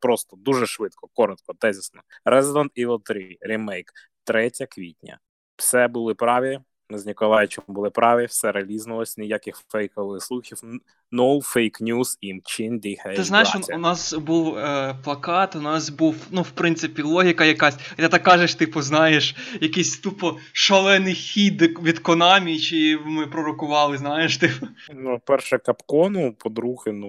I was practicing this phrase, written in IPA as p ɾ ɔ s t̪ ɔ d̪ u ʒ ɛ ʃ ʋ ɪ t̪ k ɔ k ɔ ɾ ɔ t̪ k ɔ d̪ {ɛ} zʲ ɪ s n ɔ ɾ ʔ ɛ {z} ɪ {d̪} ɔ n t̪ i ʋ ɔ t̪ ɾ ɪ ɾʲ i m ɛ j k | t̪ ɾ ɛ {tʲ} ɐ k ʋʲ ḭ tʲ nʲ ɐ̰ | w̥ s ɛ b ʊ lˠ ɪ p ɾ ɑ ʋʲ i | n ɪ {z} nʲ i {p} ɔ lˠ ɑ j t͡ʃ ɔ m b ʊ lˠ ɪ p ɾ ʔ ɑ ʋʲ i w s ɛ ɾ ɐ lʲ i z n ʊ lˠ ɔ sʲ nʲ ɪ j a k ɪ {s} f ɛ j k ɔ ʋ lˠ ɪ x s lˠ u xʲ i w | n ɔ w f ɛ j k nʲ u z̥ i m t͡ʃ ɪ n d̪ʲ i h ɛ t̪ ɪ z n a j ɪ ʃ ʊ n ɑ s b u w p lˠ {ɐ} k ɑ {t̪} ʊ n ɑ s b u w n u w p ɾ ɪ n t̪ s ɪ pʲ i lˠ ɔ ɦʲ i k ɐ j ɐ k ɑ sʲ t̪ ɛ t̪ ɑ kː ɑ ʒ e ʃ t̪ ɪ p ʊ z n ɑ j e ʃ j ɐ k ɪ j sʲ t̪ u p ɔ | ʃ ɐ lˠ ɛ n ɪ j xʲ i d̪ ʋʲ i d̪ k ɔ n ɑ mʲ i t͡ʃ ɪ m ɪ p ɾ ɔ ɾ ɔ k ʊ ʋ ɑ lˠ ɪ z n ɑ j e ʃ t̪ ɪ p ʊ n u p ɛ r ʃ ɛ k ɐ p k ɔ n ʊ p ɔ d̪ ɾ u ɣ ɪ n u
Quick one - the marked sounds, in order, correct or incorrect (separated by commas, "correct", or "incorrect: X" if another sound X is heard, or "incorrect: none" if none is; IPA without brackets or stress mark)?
correct, correct, correct, correct, correct, incorrect: k, incorrect: x, correct, correct